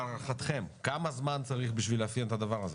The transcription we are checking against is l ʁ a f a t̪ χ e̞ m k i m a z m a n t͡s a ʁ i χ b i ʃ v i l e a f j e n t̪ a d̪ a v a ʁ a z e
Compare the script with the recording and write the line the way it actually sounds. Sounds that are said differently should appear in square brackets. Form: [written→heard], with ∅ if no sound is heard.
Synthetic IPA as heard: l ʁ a [f→χ] a t̪ χ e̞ m k [i→a] m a z m a n t͡s a ʁ i χ b i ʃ v i l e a f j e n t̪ a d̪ a v a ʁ a z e